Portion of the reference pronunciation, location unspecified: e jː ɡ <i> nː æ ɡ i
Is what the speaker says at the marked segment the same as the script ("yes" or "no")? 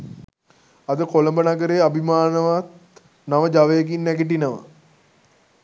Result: yes